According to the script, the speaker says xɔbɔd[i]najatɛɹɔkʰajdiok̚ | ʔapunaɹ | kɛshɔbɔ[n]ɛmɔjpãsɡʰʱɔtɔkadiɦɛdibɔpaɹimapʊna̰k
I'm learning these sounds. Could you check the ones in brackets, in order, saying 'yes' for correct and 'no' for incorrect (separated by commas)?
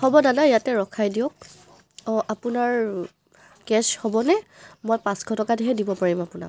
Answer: no, yes